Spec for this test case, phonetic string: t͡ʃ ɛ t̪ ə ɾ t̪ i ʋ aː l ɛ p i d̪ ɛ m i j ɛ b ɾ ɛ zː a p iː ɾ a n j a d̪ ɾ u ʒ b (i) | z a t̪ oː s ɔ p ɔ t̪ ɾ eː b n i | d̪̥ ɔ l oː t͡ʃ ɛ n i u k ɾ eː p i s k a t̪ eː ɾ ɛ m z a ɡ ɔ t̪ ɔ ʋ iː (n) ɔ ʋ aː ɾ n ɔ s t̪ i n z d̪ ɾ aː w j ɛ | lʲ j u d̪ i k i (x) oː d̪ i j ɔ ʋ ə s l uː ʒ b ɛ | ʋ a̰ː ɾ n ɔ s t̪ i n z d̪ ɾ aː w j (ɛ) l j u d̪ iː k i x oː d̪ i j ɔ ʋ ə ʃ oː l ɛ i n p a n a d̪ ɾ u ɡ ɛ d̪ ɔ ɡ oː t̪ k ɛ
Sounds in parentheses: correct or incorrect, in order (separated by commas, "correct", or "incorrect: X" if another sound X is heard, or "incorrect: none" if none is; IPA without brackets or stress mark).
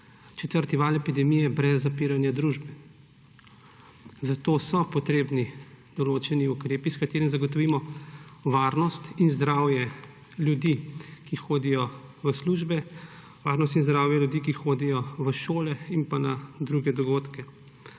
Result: incorrect: ɛ, incorrect: m, correct, correct